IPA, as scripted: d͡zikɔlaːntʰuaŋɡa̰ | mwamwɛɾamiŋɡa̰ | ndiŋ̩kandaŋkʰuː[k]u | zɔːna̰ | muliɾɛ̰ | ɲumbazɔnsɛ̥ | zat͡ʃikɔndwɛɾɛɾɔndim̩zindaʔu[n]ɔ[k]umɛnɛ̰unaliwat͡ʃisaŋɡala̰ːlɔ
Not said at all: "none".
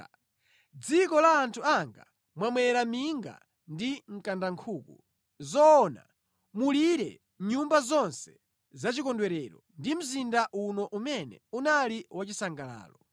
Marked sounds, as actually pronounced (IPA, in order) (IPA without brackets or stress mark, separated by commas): k, n, ʔ